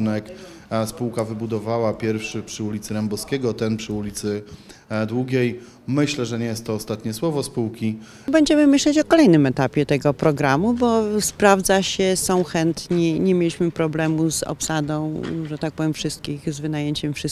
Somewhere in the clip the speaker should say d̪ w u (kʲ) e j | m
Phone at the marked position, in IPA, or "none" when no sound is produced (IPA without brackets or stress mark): ɡʲ